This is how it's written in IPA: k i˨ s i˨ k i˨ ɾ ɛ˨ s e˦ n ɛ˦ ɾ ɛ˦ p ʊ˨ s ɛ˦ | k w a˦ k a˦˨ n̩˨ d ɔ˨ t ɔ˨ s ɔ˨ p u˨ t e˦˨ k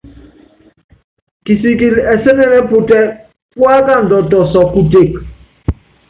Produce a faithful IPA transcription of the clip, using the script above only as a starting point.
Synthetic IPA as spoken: k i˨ s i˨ k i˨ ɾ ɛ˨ s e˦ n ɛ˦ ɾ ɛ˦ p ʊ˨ t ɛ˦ | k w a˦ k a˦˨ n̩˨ d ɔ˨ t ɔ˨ s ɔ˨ k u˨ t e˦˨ k